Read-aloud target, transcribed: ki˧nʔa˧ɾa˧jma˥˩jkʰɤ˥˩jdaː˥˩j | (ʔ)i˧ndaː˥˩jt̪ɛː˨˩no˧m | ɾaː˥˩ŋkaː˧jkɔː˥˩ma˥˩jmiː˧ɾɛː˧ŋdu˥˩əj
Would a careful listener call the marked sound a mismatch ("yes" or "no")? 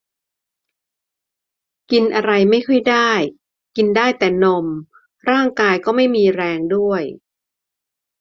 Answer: yes